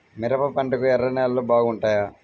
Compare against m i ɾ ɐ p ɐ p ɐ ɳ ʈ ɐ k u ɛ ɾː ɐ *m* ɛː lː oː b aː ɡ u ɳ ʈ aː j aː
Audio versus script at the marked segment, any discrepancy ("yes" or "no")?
yes